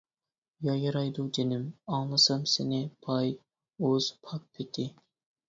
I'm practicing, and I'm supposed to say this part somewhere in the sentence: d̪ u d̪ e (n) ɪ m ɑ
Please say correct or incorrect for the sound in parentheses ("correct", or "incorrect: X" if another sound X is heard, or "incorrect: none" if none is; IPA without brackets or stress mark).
correct